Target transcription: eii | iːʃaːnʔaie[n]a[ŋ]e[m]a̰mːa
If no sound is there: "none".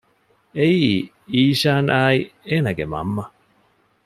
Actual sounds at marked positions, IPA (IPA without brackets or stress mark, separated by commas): n, ɡ, m